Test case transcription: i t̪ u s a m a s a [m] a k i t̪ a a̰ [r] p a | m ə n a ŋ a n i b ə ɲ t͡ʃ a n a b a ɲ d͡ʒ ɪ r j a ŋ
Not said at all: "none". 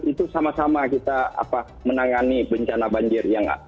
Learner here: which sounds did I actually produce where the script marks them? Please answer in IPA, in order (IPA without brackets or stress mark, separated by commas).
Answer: m, none